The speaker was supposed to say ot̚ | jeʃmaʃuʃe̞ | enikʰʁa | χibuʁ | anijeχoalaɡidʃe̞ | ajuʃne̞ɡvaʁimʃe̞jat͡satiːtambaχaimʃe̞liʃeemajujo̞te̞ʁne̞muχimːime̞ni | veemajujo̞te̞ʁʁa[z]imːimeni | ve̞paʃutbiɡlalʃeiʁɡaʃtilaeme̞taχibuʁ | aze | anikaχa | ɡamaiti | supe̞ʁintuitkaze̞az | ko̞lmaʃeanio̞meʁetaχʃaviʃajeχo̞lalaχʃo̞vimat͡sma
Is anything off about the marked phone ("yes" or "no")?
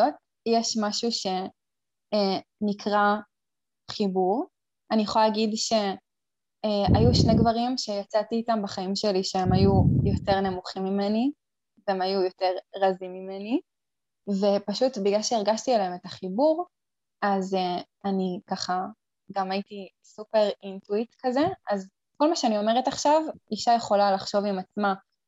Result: no